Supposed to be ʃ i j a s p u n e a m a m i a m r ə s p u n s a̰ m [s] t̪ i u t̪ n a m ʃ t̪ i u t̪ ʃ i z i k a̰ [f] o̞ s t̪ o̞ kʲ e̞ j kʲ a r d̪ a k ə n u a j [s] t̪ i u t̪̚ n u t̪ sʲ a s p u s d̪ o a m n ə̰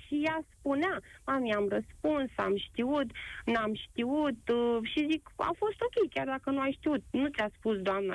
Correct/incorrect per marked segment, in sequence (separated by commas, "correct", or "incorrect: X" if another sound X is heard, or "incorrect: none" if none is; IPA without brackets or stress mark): incorrect: ʃ, correct, incorrect: ʃ